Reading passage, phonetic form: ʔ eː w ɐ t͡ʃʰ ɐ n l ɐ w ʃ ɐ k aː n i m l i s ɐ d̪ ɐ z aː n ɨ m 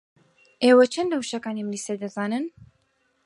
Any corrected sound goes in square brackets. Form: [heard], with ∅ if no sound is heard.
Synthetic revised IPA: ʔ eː w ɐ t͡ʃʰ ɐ n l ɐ w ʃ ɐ k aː n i m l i s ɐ d̪ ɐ z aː n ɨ [n]